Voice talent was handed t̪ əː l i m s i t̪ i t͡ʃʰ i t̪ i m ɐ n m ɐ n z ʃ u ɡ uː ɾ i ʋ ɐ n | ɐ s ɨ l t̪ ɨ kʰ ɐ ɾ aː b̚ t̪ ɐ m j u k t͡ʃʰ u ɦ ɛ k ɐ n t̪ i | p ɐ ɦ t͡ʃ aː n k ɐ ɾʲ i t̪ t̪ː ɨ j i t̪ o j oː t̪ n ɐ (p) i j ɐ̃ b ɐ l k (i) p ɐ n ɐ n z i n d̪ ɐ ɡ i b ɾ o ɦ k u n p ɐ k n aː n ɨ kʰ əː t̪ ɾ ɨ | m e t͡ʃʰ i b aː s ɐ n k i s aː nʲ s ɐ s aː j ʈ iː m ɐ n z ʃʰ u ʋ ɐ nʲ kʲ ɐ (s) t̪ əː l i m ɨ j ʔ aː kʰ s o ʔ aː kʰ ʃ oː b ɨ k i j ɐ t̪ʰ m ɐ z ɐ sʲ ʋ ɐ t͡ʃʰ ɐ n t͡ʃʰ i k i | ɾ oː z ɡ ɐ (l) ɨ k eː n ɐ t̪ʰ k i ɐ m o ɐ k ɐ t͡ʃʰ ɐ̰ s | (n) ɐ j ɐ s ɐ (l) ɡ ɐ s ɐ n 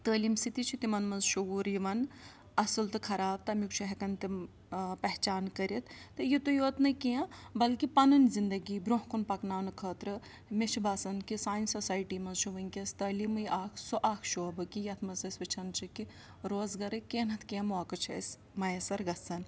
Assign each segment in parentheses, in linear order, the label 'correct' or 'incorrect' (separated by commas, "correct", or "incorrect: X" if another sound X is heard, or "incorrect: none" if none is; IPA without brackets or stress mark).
incorrect: k, correct, correct, incorrect: ɾ, incorrect: m, incorrect: ɾ